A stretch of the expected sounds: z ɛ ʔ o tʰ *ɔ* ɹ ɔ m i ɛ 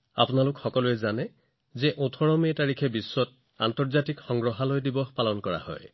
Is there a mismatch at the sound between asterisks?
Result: no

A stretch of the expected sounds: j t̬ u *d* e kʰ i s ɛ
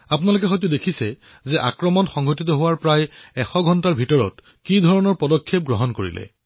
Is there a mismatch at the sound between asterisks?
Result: no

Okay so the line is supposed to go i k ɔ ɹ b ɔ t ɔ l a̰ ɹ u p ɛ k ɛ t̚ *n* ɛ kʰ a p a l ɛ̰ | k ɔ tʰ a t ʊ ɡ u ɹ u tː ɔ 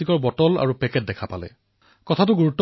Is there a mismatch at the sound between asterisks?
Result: yes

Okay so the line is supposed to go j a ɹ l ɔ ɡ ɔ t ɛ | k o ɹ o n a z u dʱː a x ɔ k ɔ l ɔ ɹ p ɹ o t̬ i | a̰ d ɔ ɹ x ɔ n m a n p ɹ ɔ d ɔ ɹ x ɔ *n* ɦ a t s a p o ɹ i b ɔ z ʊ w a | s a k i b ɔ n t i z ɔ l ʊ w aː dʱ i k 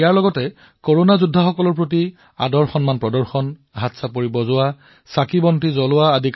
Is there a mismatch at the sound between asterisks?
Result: no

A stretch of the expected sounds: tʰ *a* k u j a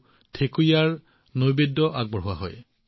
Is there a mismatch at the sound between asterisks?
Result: yes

